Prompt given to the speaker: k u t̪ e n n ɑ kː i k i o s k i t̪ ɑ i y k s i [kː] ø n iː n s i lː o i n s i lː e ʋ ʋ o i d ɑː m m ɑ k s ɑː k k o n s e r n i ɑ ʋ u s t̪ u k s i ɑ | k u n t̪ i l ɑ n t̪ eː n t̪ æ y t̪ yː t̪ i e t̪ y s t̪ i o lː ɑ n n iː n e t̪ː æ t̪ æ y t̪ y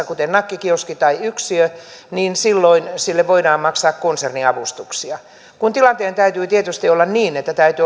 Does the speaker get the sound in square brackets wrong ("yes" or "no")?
yes